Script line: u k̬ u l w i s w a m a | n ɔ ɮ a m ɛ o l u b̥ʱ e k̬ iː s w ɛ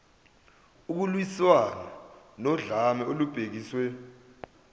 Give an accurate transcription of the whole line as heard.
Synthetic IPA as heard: u k̬ u l w i s w a n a | n ɔ ɮ a m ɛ o l u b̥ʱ e k̬ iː s w ɛ